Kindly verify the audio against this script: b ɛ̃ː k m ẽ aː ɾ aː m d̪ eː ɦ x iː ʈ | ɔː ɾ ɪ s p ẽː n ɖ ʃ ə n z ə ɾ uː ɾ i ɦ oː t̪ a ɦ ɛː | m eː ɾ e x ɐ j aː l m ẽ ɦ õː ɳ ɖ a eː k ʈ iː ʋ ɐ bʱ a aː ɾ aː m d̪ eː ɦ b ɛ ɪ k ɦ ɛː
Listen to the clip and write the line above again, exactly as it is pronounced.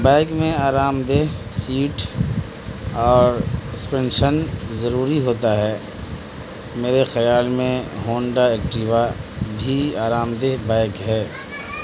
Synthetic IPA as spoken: b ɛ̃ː k m ẽ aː ɾ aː m d̪ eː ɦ s iː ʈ | ɔː ɾ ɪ s p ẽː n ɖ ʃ ə n z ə ɾ uː ɾ i ɦ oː t̪ a ɦ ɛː | m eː ɾ e x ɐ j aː l m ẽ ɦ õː ɳ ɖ a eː k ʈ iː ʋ a bʱ i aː ɾ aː m d̪ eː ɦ b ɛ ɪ k ɦ ɛː

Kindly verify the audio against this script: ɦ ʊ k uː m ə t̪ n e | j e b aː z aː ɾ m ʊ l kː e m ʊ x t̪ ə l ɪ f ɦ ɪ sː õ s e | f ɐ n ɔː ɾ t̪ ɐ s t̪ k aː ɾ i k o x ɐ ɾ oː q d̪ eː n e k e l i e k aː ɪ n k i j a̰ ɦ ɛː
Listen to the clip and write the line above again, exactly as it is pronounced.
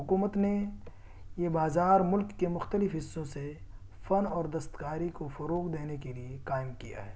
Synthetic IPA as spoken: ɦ ʊ k uː m ə t̪ n e | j e b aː z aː ɾ m ʊ l kː e m ʊ x t̪ ə l ɪ f ɦ ɪ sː õ s e | f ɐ n ɔː ɾ d̪ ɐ s t̪ k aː ɾ i k o f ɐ ɾ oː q d̪ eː n e k e l i e k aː ɪ m k i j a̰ ɦ ɛː

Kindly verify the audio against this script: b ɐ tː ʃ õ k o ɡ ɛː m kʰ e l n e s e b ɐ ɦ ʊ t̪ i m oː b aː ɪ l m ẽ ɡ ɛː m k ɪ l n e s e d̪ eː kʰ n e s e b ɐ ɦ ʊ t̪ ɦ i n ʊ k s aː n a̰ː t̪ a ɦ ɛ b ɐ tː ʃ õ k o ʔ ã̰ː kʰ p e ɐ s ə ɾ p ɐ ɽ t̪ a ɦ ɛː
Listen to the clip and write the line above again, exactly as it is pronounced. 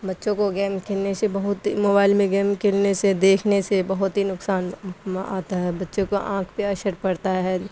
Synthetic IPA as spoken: b ɐ tː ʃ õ k o ɡ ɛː m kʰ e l n e s e b ɐ ɦ ʊ t̪ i m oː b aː ɪ l m ẽ ɡ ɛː m k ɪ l n e s e d̪ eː kʰ n e s e b ɐ ɦ ʊ t̪ ɦ i n ʊ k s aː n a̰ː t̪ a ɦ ɛ b ɐ tː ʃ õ k o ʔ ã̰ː kʰ p e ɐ ʃ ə ɾ p ɐ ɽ t̪ a ɦ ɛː

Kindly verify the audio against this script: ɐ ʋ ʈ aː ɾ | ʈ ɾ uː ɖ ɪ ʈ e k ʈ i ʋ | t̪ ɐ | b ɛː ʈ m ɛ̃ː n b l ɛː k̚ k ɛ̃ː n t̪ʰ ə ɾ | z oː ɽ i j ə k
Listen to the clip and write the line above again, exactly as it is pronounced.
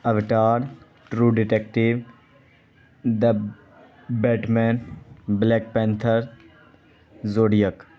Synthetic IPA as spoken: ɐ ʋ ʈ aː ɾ | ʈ ɾ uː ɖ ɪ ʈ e k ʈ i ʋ | d̪ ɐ | b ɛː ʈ m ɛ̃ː n b l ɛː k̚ p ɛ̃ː n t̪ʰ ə ɾ | z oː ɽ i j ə k

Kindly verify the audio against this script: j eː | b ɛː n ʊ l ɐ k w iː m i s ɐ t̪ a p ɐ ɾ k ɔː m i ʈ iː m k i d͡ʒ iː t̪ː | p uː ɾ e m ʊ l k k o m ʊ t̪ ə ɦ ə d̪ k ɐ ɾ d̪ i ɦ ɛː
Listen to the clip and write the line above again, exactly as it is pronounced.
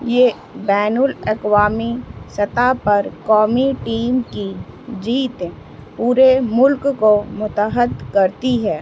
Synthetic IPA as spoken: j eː | b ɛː n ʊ l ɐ k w aː m i s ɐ t̪ a p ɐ ɾ k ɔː m i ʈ iː m k i d͡ʒ iː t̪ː | p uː ɾ e m ʊ l k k o m ʊ t̪ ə ɦ ə d̪ k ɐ ɾ t̪ i ɦ ɛː

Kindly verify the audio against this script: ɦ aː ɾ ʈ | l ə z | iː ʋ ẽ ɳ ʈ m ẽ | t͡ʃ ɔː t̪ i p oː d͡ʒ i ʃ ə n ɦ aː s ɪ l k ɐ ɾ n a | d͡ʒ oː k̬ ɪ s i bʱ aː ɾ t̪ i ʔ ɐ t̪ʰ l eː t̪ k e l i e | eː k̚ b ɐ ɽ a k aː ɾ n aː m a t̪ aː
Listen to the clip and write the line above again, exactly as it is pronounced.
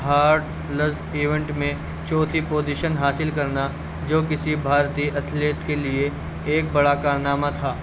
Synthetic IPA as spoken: ɦ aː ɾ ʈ | l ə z | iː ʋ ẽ ɳ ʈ m ẽ | t͡ʃ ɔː t̪ i p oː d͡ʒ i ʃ ə n ɦ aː s ɪ l k ɐ ɾ n a | d͡ʒ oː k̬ ɪ s i bʱ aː ɾ t̪ i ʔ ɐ t̪ʰ l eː t̪ k e l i e | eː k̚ b ɐ ɽ a k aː ɾ n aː m a t̪ʰ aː

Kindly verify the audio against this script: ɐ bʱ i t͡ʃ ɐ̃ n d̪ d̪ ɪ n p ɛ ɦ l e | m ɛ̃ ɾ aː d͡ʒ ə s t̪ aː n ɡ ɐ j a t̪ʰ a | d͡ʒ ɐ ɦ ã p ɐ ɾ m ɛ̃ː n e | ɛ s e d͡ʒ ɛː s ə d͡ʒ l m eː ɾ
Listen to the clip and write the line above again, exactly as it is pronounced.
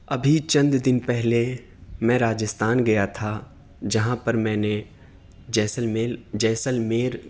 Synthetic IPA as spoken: ɐ bʱ i t͡ʃ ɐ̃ n d̪ d̪ ɪ n p ɛ ɦ l e | m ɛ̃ ɾ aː d͡ʒ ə s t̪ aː n ɡ ɐ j a t̪ʰ a | d͡ʒ ɐ ɦ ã p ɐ ɾ m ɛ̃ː n e | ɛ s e d͡ʒ ɛː s ə l m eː ɾ

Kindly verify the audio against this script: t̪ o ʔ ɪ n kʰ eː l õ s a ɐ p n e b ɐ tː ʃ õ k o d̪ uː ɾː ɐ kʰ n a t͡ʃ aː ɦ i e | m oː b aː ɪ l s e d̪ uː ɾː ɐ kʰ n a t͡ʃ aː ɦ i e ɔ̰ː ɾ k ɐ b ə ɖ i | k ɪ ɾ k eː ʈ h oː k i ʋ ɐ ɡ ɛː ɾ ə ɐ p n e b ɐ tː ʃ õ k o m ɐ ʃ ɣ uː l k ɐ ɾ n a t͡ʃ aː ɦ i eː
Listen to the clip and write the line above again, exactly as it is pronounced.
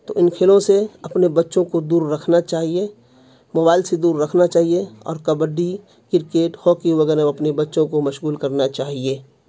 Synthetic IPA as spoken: t̪ o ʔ ɪ n kʰ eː l õ s e ɐ p n e b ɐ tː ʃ õ k o d̪ uː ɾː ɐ kʰ n a t͡ʃ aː ɦ i e | m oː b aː ɪ l s e d̪ uː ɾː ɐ kʰ n a t͡ʃ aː ɦ i e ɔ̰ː ɾ k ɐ b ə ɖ i | k ɪ ɾ k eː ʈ h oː k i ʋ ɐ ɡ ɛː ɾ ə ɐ p n e b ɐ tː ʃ õ k o m ɐ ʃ ɣ uː l k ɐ ɾ n a t͡ʃ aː ɦ i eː

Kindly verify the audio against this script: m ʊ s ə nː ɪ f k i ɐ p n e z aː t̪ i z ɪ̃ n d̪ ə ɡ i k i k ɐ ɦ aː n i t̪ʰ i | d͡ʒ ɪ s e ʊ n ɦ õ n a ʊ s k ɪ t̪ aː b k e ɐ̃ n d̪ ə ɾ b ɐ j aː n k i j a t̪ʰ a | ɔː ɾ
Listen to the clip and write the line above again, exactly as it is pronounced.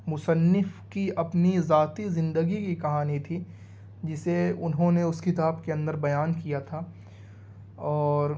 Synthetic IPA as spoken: m ʊ s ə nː ɪ f k i ɐ p n i z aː t̪ i z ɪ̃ n d̪ ə ɡ i k i k ɐ ɦ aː n i t̪ʰ i | d͡ʒ ɪ s e ʊ n ɦ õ n e ʊ s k ɪ t̪ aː b k e ɐ̃ n d̪ ə ɾ b ɐ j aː n k i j a t̪ʰ a | ɔː ɾ

